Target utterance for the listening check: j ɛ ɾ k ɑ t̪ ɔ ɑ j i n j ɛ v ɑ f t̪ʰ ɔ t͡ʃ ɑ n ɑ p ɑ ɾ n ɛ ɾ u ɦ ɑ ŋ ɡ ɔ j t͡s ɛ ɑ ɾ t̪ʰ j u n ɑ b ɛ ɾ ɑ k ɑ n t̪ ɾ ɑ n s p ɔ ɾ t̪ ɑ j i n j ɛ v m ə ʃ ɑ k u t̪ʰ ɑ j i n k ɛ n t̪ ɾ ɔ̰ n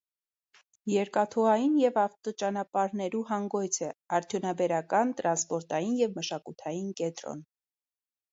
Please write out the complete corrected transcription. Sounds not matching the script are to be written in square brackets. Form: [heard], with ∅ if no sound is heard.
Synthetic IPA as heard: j ɛ ɾ k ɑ [t̪ʰ] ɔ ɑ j i n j ɛ v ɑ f [t̪] ɔ t͡ʃ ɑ n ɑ p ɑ ɾ n ɛ ɾ u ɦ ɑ ŋ ɡ ɔ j [t͡sʰ] ɛ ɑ ɾ t̪ʰ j u n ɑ b ɛ ɾ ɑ k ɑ n t̪ ɾ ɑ n s p ɔ ɾ t̪ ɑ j i n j ɛ v m ə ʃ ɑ k u t̪ʰ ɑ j i n k ɛ n t̪ ɾ ɔ̰ n